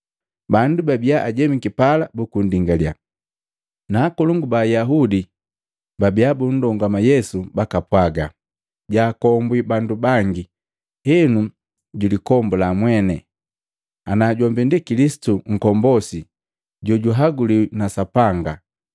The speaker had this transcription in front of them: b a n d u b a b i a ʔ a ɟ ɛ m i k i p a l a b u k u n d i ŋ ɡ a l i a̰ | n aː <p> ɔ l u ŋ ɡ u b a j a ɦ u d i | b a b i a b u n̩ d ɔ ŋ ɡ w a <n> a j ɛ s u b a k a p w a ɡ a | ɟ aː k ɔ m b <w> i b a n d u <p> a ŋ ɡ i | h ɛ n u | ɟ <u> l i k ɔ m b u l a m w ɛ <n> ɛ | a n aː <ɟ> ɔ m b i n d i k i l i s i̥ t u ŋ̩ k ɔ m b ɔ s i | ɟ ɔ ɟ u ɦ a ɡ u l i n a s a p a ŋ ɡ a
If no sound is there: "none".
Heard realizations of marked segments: k, m, w, b, u, n, ɟ

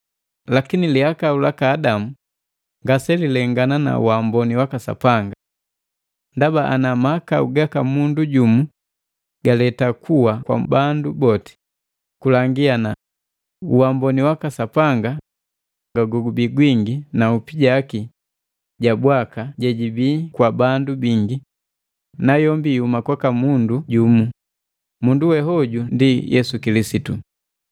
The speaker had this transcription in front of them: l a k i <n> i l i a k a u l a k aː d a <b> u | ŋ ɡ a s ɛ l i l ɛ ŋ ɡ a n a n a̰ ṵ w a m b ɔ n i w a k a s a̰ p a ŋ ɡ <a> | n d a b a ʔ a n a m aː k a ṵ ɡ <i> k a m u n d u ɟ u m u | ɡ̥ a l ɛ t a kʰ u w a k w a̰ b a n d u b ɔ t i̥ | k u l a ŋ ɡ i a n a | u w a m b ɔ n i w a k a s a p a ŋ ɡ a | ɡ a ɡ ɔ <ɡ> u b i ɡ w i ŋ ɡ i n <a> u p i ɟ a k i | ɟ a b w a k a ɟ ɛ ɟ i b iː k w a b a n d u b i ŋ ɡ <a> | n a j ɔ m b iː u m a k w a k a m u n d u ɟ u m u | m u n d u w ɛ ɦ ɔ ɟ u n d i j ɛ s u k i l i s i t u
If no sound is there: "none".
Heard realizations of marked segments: n, m, a, a, ɡ, a, i

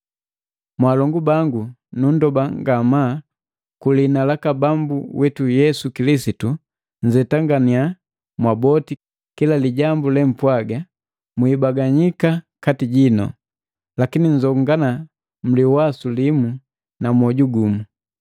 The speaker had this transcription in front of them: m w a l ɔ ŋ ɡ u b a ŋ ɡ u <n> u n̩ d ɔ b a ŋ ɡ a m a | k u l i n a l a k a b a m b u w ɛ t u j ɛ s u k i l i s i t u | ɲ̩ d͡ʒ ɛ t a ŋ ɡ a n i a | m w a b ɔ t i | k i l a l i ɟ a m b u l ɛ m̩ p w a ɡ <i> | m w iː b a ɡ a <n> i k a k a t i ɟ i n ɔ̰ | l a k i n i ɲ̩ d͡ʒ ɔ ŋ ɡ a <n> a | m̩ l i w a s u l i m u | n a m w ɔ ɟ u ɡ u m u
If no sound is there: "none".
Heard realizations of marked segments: n, a, ɲ, n

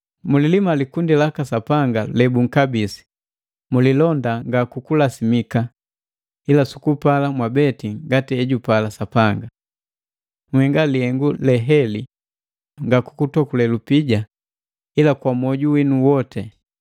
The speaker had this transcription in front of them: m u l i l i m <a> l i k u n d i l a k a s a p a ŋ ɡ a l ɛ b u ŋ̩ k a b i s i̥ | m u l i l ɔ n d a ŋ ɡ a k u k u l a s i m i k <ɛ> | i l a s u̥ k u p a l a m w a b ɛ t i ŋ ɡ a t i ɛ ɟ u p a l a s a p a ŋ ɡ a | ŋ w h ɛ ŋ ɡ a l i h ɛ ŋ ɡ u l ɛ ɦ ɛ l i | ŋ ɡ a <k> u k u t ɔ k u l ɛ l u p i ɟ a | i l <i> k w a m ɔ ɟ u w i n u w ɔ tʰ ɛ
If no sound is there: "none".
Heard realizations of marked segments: a, a, k, a

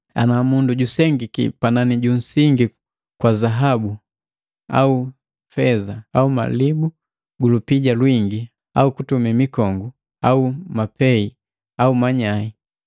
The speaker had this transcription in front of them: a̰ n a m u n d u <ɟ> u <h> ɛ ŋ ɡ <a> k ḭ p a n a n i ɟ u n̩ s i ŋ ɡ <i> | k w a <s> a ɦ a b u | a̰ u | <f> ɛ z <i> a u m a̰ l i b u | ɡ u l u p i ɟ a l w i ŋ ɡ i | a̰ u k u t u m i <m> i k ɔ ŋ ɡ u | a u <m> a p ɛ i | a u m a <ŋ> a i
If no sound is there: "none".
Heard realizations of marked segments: ɟ, s, i, i, z, f, a, m, m, ɲ

